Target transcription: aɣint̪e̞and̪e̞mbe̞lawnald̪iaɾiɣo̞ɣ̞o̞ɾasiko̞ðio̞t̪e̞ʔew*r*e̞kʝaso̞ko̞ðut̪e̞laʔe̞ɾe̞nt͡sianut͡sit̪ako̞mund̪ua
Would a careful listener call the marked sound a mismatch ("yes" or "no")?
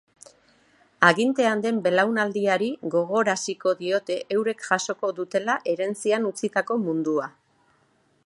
yes